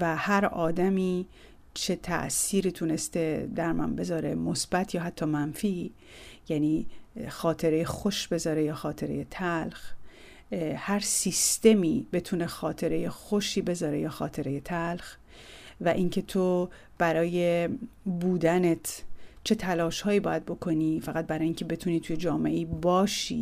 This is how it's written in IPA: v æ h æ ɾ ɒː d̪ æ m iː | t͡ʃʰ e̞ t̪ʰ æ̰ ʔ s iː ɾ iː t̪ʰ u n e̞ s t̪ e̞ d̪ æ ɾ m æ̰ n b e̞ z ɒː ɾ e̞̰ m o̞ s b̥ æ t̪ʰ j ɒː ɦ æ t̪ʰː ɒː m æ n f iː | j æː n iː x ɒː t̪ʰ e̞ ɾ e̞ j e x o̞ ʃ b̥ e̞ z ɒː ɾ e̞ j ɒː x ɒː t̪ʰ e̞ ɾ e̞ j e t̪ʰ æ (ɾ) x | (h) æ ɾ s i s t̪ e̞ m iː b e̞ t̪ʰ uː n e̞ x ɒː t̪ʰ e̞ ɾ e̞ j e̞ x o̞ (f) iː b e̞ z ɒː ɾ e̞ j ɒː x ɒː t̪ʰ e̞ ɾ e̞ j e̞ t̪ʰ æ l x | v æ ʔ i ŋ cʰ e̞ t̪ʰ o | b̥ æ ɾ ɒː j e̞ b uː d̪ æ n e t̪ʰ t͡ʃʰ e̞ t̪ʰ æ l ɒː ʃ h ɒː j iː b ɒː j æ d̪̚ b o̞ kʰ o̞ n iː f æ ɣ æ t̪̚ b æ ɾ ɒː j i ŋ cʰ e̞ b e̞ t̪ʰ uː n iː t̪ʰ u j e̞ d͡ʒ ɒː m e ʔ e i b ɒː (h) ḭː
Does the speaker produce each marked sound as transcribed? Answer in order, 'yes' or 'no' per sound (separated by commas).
no, yes, no, no